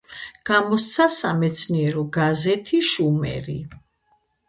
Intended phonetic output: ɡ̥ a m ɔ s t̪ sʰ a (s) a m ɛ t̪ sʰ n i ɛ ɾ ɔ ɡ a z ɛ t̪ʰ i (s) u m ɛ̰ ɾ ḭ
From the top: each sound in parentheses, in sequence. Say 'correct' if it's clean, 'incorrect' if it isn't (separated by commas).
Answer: correct, incorrect